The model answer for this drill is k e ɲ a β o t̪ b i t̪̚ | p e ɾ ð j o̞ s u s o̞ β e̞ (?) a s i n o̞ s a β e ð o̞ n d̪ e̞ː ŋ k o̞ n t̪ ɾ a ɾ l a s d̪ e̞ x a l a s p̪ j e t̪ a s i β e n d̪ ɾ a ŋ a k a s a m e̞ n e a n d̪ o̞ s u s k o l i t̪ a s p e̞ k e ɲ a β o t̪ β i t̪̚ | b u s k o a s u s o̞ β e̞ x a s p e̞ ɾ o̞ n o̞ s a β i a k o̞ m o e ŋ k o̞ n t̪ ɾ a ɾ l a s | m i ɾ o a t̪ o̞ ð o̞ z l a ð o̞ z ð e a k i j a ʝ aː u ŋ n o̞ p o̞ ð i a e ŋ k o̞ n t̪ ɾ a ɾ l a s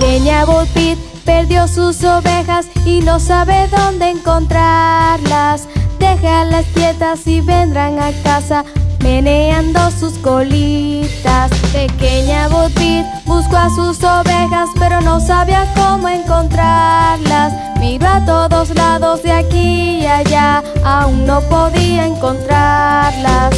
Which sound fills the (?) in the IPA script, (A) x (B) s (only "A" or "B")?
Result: A